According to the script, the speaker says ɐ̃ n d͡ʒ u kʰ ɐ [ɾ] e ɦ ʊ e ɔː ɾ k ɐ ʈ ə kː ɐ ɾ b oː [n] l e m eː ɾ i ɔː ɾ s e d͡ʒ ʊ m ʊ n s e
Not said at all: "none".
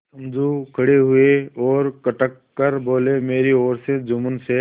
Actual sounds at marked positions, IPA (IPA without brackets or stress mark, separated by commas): ɽ, none